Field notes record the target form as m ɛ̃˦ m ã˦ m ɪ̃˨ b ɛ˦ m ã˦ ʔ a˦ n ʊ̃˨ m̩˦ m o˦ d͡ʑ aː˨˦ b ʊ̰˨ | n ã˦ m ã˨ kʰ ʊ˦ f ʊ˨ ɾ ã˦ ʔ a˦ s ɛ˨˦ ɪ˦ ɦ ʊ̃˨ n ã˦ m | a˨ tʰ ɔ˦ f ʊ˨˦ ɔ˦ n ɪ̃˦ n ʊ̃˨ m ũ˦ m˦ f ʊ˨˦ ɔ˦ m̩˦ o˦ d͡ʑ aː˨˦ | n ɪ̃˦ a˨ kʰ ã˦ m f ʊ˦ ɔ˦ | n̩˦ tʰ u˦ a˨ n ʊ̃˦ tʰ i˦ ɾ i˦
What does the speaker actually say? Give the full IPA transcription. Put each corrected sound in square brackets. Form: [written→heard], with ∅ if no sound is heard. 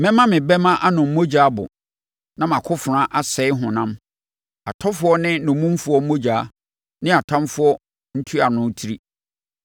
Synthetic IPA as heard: m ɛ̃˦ m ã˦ m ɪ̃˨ b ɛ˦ m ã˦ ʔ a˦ n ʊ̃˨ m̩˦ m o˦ d͡ʑ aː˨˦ b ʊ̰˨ | n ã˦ m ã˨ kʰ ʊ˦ f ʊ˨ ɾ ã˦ ʔ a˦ s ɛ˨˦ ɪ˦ ɦ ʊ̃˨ n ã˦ m | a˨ tʰ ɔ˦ f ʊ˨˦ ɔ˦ n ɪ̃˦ n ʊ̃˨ m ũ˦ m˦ f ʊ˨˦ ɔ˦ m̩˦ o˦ d͡ʑ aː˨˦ | n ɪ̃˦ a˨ [kʰ→tʰ] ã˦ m f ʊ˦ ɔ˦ | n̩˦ tʰ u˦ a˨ n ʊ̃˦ tʰ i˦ ɾ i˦